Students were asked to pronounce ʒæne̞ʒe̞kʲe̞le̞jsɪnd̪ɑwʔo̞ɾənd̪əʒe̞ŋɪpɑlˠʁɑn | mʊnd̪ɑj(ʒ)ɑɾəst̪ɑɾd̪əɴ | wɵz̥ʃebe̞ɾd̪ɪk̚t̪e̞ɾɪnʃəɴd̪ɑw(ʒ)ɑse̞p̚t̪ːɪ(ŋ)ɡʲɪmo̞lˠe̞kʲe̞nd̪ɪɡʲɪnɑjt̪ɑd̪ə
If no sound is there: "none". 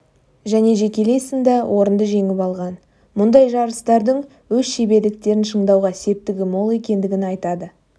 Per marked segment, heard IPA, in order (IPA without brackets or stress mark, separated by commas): ʒ, ʁ, none